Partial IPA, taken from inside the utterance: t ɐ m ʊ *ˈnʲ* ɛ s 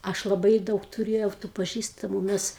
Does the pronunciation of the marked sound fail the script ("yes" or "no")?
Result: yes